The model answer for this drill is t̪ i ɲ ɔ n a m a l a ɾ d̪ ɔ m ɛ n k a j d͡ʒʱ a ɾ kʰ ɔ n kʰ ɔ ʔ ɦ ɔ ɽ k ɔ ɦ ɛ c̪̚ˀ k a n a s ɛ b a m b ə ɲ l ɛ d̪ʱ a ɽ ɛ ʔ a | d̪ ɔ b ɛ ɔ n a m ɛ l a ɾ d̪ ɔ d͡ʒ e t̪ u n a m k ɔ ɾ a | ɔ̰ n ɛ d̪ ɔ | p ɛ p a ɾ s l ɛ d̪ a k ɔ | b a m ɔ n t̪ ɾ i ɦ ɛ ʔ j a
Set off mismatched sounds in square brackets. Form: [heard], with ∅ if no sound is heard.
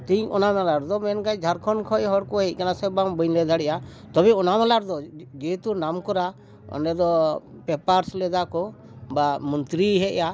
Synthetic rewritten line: t̪ i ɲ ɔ n a m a l a ɾ d̪ ɔ m ɛ n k a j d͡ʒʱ a ɾ kʰ ɔ n kʰ ɔ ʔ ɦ ɔ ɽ k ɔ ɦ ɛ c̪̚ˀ k a n a s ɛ b a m b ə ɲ l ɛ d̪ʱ a ɽ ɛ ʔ a | [t̪] ɔ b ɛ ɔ n a m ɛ l a ɾ d̪ ɔ d͡ʒ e t̪ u n a m k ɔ ɾ a | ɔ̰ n ɛ d̪ ɔ | p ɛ p a ɾ s l ɛ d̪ a k ɔ | b a m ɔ n t̪ ɾ i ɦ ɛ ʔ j a